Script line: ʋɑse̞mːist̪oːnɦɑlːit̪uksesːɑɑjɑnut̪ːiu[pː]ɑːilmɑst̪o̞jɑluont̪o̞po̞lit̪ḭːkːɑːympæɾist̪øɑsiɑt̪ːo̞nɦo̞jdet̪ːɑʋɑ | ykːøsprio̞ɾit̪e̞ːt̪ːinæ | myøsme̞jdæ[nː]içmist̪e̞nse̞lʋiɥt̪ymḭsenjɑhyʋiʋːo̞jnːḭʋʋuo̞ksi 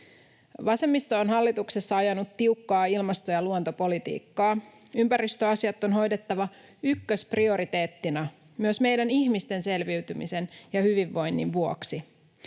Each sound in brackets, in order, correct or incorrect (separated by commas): incorrect, incorrect